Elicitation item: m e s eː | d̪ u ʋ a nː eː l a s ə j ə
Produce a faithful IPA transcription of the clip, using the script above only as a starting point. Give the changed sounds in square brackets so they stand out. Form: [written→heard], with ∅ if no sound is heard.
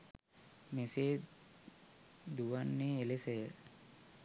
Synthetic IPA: m e s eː | d̪ u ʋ a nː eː l [a→e] s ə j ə